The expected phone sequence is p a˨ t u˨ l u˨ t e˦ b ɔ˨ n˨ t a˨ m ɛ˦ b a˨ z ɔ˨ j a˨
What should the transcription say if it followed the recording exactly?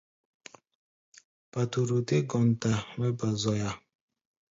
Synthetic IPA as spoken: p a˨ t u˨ ɾ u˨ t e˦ ɡ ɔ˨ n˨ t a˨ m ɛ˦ b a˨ z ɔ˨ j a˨